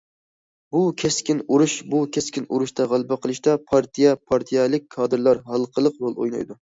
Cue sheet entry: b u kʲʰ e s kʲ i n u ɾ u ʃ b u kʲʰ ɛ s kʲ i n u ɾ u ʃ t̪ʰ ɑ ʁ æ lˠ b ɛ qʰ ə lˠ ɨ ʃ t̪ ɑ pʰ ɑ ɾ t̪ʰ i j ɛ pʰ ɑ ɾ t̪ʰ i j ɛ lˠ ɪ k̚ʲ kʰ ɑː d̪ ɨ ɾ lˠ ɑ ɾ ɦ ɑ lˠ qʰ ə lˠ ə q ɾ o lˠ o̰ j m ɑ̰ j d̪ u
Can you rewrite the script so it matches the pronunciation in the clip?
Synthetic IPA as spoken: b u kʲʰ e s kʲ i n u ɾ u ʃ b u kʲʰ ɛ s kʲ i n u ɾ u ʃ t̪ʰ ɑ ʁ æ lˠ b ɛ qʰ ə lˠ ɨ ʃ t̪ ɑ pʰ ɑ ɾ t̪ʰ i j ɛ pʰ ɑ ɾ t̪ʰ i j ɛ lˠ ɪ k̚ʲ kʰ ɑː d̪ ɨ ɾ lˠ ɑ ɾ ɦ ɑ lˠ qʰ ə lˠ ə q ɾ o lˠ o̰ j n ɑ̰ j d̪ u